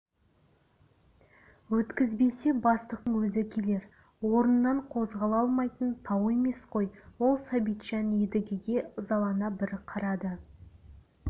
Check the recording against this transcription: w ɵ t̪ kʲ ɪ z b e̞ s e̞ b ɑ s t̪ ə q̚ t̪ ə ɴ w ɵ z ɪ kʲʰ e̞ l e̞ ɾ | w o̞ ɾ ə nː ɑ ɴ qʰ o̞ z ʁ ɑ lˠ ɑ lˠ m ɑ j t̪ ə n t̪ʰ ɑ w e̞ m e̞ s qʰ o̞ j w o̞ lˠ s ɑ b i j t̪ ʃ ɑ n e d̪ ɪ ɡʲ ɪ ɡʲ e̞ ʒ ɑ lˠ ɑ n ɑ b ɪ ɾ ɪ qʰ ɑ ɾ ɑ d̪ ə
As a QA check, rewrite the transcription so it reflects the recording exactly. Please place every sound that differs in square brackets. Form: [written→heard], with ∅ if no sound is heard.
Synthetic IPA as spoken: w ɵ t̪ kʲ ɪ z b e̞ s e̞ b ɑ s t̪ ə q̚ t̪ ə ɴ w ɵ z ɪ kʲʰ e̞ l e̞ ɾ | w o̞ ɾ ə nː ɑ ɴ qʰ o̞ z ʁ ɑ lˠ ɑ lˠ m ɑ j t̪ ə n t̪ʰ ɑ w e̞ m e̞ s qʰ o̞ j w o̞ lˠ s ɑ b i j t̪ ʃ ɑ n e d̪ ɪ ɡʲ ɪ ɡʲ e̞ [ʒ→z] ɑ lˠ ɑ n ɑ b ɪ ɾ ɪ qʰ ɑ ɾ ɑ d̪ ə